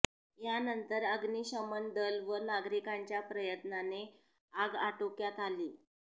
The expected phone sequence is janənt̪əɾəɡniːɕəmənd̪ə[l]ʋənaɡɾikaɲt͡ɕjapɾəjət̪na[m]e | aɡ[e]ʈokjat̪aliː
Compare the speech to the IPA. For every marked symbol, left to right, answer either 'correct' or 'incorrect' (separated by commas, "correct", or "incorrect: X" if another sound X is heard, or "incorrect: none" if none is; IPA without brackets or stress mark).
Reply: correct, incorrect: n, incorrect: a